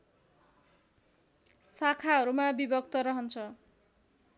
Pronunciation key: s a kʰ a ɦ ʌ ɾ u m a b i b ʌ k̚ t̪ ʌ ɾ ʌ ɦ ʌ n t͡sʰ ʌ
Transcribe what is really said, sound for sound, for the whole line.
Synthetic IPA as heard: s a kʰ a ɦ ʌ ɾ u m a b i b ʌ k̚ t̪ ʌ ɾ ʌ ɦ ʌ n t͡sʰ ʌ